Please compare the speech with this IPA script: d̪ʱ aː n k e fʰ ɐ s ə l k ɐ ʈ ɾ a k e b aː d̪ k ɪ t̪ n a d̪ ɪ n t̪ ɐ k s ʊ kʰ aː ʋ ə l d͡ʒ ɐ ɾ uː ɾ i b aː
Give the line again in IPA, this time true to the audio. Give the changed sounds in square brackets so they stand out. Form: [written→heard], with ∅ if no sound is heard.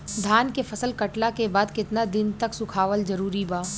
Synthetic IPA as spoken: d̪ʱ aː n k e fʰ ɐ s ə l k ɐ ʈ [ɾ→l] a k e b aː d̪ k ɪ t̪ n a d̪ ɪ n t̪ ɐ k s ʊ kʰ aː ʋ ə l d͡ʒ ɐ ɾ uː ɾ i b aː